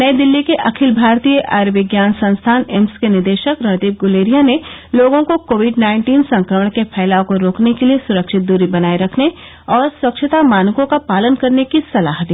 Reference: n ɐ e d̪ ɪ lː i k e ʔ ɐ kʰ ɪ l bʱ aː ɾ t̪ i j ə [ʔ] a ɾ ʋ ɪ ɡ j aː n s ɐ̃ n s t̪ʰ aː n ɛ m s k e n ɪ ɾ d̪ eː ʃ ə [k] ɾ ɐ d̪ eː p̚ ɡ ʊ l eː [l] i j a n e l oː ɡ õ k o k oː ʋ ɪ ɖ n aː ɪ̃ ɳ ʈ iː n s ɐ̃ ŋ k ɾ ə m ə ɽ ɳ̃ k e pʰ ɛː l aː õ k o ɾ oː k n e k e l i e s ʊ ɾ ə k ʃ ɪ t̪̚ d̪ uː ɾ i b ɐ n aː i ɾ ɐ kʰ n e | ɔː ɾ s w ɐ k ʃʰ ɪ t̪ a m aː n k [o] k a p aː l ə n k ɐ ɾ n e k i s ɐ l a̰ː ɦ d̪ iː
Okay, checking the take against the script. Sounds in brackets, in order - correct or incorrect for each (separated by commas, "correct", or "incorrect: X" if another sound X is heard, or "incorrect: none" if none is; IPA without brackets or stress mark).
correct, correct, incorrect: ɾ, incorrect: õ